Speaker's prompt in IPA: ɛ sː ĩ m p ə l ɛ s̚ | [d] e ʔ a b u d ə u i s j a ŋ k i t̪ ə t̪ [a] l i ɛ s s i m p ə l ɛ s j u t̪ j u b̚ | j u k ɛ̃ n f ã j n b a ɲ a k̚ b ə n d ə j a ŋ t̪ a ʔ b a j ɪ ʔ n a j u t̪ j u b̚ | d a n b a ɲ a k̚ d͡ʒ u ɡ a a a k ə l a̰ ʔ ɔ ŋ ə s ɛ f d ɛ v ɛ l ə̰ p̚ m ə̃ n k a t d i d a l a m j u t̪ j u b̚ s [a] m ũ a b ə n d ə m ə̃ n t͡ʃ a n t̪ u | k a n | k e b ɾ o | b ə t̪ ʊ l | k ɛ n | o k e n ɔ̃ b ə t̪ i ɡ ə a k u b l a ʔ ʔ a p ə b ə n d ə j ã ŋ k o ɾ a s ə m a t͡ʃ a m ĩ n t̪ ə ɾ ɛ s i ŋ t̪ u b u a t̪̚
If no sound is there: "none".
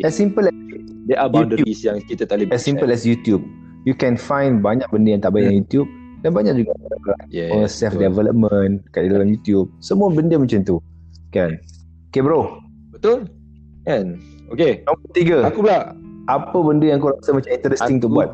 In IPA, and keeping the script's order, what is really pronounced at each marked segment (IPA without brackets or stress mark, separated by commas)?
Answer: d, a, ə